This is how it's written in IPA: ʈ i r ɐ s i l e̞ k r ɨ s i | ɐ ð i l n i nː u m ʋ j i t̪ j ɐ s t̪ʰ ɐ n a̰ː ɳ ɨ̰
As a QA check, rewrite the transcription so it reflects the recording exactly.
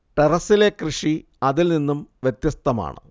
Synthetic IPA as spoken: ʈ e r ɐ s i l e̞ k r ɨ ʂ i | ɐ ð i l n i nː u m ʋ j e t̪ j ɐ s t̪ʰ ɐ m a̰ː ɳ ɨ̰